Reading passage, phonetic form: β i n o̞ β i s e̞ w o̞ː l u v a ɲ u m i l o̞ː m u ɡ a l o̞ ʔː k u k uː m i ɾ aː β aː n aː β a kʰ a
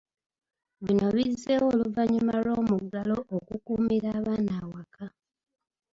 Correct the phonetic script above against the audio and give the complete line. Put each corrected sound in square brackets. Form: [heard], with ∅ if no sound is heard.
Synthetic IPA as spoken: β i n o̞ β i [z] e̞ w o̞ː l u v a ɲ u m [a] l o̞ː m u ɡ a l o̞ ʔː k u k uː m i ɾ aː β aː n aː [w] a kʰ a